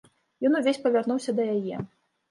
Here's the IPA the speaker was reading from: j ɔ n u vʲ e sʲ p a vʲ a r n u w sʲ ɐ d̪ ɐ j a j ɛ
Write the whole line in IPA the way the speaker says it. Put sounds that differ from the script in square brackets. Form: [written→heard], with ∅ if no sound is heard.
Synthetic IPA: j ɔ n u vʲ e sʲ p [a→ɐ] vʲ a r n u w sʲ ɐ d̪ ɐ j a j ɛ

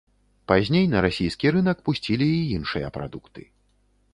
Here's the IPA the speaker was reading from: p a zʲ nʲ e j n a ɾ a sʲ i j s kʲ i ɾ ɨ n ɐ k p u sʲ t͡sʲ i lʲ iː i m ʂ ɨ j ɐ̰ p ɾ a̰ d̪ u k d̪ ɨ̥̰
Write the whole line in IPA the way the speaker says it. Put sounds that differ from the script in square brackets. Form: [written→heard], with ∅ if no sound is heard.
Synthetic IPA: p a zʲ nʲ e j n [a→ɐ] ɾ a sʲ i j s kʲ i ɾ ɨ n ɐ k p u sʲ t͡sʲ i lʲ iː i [m→n] ʂ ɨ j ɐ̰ p ɾ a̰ d̪ u k [d̪→t̪] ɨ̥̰

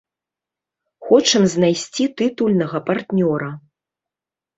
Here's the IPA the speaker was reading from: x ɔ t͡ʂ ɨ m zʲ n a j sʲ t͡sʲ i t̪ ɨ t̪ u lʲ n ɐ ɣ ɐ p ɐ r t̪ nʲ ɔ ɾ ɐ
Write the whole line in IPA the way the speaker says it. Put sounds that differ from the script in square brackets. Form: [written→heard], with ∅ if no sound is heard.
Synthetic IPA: x ɔ t͡ʂ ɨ m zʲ n a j sʲ t͡sʲ i t̪ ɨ t̪ u lʲ n ɐ ɣ ɐ p [ɐ→a] r t̪ nʲ ɔ ɾ ɐ

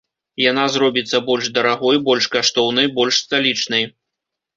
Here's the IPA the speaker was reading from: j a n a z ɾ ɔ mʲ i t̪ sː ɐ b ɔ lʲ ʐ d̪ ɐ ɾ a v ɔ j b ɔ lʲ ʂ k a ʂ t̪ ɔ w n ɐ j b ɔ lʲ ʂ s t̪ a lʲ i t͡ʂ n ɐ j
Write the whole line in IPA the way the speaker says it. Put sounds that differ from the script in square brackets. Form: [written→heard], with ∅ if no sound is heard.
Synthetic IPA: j a n a z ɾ ɔ [mʲ→bʲ] i t̪ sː ɐ b ɔ lʲ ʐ d̪ ɐ ɾ a [v→ɣ] ɔ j b ɔ lʲ ʂ k a ʂ t̪ ɔ w n ɐ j b ɔ lʲ ʂ s t̪ a lʲ i t͡ʂ n ɐ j

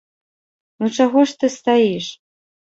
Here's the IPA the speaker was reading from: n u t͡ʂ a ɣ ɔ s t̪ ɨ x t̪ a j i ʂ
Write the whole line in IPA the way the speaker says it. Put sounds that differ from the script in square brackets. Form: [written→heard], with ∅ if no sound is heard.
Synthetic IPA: n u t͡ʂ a ɣ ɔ [s→ʂ] t̪ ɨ [x→s] t̪ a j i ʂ

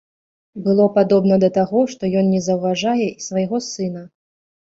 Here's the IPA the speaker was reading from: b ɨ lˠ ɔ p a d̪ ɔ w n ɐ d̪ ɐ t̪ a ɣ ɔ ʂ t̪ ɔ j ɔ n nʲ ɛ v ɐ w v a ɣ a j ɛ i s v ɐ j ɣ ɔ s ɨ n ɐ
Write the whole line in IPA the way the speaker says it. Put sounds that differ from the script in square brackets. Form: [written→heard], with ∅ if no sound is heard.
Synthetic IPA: b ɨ lˠ ɔ p a d̪ ɔ [w→b] n ɐ d̪ ɐ t̪ a ɣ ɔ ʂ t̪ ɔ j ɔ n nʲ ɛ [v→z] ɐ w v a [ɣ→ʐ] a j ɛ i s v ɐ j ɣ ɔ s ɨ n ɐ

